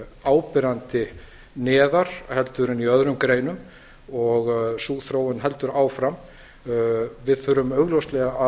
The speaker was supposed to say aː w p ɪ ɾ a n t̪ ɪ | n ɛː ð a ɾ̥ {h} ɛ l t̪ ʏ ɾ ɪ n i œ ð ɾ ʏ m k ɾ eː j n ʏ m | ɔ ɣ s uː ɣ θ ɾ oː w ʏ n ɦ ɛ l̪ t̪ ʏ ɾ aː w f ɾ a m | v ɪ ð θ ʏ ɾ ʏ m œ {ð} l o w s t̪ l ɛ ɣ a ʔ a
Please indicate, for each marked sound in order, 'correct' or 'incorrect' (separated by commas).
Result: correct, incorrect